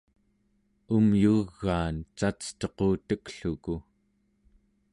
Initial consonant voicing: voiced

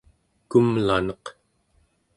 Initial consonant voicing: voiceless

